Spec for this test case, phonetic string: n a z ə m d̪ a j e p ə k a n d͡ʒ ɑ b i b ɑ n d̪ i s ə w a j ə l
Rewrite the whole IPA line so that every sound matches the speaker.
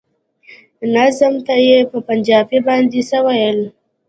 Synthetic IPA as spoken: n a z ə m t̪ a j e p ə p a n d͡ʒ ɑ b i b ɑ n d̪ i s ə w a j ə l